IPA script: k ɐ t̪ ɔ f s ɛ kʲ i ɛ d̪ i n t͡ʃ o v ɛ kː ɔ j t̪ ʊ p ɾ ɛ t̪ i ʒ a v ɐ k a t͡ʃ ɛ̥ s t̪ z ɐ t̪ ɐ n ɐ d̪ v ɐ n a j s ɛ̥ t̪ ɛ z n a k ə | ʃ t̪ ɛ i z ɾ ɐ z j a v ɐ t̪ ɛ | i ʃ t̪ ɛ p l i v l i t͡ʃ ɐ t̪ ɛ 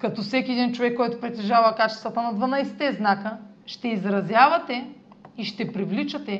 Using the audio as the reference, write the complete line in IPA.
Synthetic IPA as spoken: k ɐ t̪ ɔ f s ɛ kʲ i ɛ d̪ i n t͡ʃ o v ɛ kː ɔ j t̪ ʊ p ɾ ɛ t̪ ɛ ʒ a v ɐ k a t͡ʃ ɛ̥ s t̪ v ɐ t̪ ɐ n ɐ d̪ v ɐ n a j s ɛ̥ t̪ ɛ z n a k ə | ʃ t̪ ɛ i z ɾ ɐ z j a v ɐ t̪ ɛ | i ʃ t̪ ɛ p ɾ i v l i t͡ʃ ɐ t̪ ɛ